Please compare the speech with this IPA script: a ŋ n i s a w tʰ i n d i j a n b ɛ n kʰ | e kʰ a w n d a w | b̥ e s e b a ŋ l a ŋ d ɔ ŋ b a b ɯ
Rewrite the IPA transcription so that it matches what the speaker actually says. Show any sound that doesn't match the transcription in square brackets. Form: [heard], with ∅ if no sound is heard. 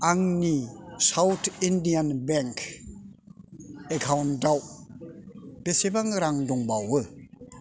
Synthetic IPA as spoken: a ŋ n i s a w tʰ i n d i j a n b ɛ [ŋ] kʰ | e kʰ a w n d a w | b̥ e s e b a ŋ [ɾ] a ŋ d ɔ ŋ b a [w] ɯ